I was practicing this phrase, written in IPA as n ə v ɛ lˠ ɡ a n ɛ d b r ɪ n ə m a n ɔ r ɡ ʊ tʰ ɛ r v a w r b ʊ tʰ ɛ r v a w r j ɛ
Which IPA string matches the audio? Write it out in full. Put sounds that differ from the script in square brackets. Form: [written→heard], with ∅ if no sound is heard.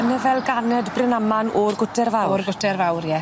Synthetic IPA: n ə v ɛ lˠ ɡ a n ɛ d b r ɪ n [ə→a] m a n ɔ r ɡ ʊ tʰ ɛ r v a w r [b→ɡ] ʊ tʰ ɛ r v a w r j ɛ